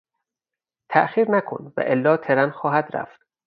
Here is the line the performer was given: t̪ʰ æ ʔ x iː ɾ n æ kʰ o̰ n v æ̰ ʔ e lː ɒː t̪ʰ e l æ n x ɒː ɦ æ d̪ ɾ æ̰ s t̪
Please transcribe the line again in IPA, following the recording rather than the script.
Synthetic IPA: t̪ʰ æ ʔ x iː ɾ n æ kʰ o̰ n v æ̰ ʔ e lː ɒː t̪ʰ e ɾ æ n x ɒː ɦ æ d̪ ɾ æ̰ f t̪